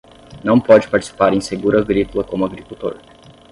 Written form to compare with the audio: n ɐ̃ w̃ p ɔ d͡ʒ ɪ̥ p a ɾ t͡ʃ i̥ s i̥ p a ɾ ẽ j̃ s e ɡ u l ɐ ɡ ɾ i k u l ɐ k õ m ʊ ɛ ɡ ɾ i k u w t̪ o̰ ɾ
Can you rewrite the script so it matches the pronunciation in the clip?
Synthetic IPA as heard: n ɐ̃ w̃ p ɔ d͡ʒ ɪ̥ p a ɾ t͡ʃ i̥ s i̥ p a ɾ ẽ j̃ s e ɡ u ɾ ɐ ɡ ɾ i k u l ɐ k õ m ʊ a ɡ ɾ i k u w t̪ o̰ ɾ